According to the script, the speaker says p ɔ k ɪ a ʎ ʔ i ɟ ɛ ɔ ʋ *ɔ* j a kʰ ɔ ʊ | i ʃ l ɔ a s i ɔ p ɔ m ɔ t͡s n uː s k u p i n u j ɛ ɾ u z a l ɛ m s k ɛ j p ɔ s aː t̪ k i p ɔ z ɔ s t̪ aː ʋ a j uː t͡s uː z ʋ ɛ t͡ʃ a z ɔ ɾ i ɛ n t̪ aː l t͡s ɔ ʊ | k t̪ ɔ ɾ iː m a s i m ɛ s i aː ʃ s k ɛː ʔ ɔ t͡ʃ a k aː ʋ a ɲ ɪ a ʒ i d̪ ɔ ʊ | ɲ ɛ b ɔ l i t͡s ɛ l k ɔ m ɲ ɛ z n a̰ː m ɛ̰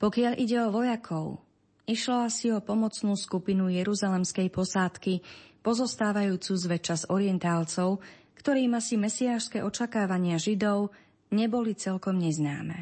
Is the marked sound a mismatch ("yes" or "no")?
no